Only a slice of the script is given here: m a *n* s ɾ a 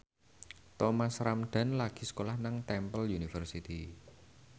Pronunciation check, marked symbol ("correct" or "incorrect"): incorrect